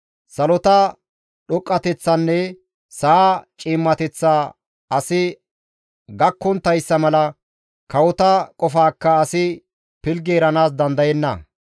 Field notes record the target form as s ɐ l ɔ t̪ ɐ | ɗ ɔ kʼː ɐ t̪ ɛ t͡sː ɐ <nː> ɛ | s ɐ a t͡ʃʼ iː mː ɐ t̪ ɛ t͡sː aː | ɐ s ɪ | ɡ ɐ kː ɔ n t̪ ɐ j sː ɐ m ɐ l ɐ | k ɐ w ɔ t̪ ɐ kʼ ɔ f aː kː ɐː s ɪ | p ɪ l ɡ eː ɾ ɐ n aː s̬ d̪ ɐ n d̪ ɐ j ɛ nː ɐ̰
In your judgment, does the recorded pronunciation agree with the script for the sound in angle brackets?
yes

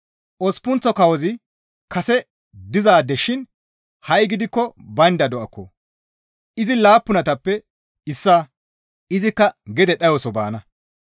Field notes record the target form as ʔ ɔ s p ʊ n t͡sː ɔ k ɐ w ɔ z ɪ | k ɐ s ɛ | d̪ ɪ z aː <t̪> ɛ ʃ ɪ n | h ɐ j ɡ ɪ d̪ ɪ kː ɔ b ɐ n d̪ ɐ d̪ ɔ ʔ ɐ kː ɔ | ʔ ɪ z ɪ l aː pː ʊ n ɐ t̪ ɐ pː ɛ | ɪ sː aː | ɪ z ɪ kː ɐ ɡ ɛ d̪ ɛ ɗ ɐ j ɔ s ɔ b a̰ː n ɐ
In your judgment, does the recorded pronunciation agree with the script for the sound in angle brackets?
no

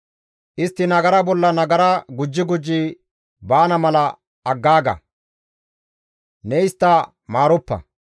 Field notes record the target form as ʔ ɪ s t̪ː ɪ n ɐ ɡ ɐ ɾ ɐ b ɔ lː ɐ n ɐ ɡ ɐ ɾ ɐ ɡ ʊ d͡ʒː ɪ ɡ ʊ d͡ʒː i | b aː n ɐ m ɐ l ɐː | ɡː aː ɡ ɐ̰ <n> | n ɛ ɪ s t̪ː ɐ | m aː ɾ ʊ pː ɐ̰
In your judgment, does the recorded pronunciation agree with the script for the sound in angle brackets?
no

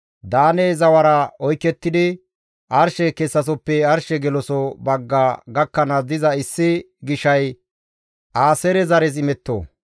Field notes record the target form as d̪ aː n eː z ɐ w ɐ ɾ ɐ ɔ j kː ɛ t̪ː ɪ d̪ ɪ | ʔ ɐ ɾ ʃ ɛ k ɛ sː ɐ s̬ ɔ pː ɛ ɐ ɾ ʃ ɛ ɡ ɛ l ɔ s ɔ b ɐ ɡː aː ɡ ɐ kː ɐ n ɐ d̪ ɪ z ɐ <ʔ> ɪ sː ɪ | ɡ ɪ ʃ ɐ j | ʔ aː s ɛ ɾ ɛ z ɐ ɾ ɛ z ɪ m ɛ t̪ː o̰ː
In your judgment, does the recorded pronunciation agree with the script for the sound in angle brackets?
no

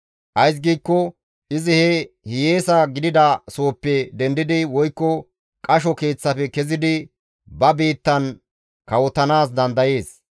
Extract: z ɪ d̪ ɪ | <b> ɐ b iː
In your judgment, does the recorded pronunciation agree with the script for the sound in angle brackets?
yes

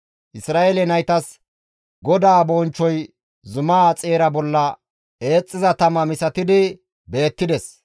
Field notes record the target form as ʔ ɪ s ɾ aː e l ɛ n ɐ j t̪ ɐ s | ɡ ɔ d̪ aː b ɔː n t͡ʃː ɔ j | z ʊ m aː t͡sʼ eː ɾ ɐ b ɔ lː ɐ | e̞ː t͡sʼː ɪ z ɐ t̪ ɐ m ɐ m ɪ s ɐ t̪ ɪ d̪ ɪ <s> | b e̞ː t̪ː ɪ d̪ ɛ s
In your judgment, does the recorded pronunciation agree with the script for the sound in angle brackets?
no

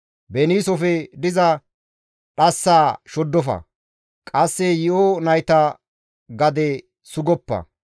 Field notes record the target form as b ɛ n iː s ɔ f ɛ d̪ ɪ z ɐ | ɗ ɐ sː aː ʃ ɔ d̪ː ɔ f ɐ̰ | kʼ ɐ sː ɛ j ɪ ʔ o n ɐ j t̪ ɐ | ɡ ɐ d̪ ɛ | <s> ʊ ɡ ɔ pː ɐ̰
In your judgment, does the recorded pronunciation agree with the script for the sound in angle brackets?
yes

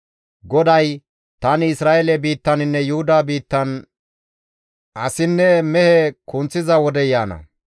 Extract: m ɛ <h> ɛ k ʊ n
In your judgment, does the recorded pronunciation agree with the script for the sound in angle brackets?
yes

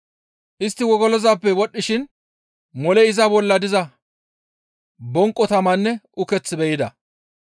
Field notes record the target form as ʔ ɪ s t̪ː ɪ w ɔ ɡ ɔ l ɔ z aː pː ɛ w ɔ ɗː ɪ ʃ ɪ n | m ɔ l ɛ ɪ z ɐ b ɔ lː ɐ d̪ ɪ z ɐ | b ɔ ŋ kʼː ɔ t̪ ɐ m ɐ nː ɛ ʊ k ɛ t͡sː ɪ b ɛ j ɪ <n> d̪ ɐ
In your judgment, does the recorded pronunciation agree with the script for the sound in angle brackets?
no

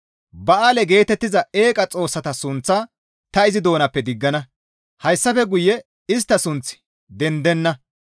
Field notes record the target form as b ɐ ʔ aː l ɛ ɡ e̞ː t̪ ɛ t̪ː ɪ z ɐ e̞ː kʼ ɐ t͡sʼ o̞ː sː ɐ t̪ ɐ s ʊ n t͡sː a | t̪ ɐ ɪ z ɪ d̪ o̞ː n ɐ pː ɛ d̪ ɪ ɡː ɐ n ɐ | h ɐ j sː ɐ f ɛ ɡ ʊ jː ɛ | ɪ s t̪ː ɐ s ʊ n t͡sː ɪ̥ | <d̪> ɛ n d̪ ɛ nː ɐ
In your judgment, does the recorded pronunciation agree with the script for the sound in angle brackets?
yes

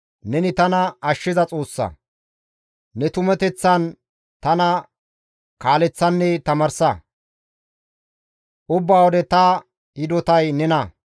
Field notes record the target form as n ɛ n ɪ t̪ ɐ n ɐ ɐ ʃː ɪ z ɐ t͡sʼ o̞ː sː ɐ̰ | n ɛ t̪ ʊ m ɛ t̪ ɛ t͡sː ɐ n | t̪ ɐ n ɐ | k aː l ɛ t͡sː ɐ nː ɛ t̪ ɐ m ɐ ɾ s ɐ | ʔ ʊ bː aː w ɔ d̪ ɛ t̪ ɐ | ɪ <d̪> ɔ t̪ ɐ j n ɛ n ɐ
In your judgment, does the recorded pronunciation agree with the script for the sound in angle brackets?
yes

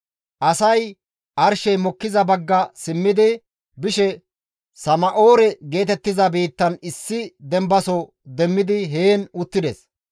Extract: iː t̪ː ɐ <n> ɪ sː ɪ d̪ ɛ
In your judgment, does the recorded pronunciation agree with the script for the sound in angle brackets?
yes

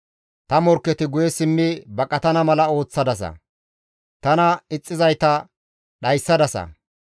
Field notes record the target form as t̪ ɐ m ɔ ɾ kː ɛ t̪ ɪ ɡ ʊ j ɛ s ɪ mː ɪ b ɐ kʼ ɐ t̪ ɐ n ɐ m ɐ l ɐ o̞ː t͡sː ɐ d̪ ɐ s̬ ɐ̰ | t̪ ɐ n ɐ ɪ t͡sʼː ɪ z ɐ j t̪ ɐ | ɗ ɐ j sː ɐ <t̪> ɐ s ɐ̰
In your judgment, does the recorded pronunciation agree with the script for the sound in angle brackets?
no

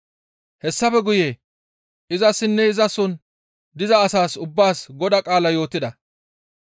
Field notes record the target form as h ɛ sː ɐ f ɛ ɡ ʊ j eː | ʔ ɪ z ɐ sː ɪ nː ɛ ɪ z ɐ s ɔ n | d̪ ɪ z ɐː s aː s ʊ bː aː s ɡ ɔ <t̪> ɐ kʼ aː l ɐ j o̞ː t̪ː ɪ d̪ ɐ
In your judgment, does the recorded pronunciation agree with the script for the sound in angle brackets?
no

